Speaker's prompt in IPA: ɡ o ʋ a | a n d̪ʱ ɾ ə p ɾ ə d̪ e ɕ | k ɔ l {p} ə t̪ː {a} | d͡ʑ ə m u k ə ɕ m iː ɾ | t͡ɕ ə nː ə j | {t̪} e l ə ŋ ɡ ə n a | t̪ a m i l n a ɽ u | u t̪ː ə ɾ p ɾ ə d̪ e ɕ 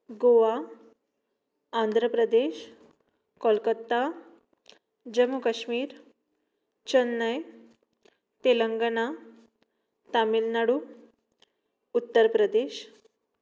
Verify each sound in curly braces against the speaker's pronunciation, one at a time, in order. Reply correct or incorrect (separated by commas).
incorrect, correct, correct